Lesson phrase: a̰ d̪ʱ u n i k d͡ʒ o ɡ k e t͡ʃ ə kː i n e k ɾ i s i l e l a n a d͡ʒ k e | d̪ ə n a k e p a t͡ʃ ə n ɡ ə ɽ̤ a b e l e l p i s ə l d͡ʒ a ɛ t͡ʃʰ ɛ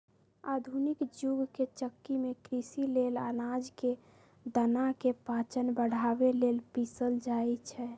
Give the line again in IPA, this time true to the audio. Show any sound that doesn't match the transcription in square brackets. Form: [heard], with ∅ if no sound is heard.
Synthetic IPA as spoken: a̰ d̪ʱ u n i k d͡ʒ [u] ɡ k e t͡ʃ ə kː i [m] e k ɾ i s i l e l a n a d͡ʒ k e | d̪ ə n a k e p a t͡ʃ ə n [b] ə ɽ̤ a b e l e l p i s ə l d͡ʒ a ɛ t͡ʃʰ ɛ